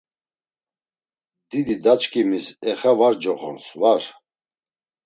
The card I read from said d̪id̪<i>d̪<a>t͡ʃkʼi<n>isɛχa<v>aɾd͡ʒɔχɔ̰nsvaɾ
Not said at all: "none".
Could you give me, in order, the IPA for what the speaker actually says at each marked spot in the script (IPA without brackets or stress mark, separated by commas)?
i, a, m, v